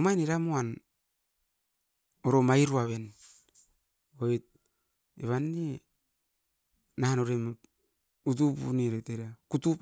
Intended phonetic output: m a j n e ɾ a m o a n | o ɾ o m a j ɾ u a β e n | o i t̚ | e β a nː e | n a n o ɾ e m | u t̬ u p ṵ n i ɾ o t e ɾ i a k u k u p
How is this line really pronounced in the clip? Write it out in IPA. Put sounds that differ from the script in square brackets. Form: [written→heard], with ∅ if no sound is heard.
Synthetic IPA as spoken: m a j n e ɾ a m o a n | o ɾ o m a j ɾ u a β e n | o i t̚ | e β a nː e | n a n o ɾ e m | u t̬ u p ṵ n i ɾ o t e ɾ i a k u [k→t] u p